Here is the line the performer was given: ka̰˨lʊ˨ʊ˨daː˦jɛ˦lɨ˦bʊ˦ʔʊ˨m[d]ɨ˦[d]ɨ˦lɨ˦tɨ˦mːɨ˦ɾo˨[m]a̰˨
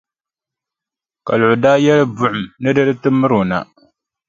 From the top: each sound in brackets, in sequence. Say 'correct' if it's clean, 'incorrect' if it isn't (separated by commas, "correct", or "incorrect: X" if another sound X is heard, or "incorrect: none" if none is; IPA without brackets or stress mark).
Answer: incorrect: n, correct, incorrect: n